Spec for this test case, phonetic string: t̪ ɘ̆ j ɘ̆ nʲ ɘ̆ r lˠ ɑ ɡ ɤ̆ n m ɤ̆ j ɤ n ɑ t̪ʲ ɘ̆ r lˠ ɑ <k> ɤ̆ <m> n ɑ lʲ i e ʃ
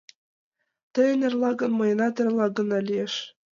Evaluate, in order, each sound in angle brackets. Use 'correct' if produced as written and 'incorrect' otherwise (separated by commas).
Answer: incorrect, incorrect